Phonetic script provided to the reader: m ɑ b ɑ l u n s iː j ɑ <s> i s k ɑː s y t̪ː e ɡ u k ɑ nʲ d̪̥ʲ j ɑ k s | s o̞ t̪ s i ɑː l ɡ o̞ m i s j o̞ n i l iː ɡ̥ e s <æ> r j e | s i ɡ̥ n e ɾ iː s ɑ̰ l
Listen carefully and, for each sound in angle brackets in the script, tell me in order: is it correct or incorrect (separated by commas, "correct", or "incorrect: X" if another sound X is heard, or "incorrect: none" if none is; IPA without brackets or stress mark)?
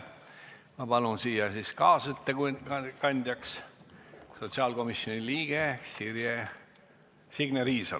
correct, incorrect: i